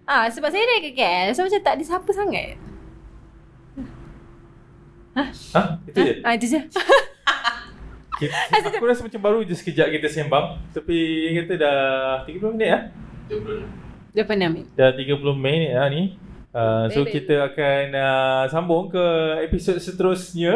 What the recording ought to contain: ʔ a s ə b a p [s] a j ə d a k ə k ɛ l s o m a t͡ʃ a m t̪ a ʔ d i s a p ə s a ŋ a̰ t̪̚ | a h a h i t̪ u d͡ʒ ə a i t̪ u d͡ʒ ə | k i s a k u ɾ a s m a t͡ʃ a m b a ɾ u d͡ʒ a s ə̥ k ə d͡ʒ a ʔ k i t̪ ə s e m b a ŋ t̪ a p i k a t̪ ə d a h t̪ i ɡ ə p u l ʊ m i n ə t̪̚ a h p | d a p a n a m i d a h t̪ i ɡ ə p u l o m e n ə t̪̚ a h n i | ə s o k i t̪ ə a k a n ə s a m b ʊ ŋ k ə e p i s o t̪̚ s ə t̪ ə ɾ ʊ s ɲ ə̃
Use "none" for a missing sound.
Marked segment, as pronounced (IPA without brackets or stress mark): s